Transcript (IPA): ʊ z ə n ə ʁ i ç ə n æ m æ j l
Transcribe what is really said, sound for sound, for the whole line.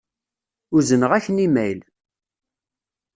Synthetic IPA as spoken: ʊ z ə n ə ʁ æ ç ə n i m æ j l